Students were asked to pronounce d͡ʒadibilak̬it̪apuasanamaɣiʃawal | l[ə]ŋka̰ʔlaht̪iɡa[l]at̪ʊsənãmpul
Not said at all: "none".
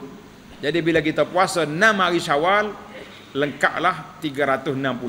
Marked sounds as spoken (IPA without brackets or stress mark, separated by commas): ə, ɾ